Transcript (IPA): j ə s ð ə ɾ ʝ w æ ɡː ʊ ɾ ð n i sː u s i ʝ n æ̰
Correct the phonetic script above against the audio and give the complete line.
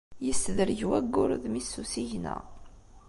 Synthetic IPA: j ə s ð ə ɾ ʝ w æ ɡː ʊ ɾ ð m i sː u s i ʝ n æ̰